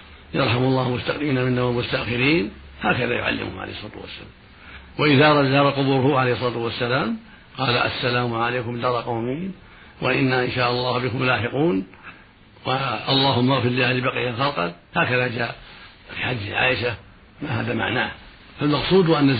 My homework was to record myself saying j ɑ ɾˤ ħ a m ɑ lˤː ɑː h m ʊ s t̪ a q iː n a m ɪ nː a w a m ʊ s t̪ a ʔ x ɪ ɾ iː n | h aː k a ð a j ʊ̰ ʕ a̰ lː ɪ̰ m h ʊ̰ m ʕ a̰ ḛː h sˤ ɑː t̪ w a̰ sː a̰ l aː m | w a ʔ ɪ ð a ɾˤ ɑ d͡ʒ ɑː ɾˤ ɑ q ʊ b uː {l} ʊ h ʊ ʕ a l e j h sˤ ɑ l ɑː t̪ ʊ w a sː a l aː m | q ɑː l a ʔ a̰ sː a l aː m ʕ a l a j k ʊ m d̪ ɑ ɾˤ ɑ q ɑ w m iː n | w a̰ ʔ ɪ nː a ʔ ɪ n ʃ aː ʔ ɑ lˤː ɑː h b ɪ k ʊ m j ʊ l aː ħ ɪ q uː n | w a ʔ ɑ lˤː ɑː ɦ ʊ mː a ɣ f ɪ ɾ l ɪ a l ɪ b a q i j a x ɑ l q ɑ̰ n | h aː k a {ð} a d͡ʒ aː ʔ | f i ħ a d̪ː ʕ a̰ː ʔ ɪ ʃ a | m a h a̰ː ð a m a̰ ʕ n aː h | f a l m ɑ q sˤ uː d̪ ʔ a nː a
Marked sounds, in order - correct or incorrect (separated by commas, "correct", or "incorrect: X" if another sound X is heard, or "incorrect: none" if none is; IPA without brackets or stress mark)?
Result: incorrect: ɾ, correct